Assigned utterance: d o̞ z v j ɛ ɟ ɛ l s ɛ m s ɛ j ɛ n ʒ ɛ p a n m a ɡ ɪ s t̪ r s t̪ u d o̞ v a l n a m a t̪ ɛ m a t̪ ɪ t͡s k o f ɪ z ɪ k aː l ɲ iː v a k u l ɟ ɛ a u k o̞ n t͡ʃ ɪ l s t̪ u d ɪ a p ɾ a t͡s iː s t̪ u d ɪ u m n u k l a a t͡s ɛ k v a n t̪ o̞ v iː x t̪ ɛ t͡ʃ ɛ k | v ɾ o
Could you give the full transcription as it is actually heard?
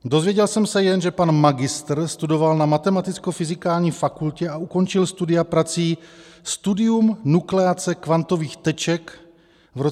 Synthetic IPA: d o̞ z v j ɛ ɟ ɛ l s ɛ m s ɛ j ɛ n ʒ ɛ p a n m a ɡ ɪ s t̪ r s t̪ u d o̞ v a l n a m a t̪ ɛ m a t̪ ɪ t͡s k o f ɪ z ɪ k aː l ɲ iː f a k u l c ɛ a u k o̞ n t͡ʃ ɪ l s t̪ u d ɪ a p ɾ a t͡s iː s t̪ u d ɪ u m n u k l ɛ a t͡s ɛ k v a n t̪ o̞ v iː x t̪ ɛ t͡ʃ ɛ k | v ɾ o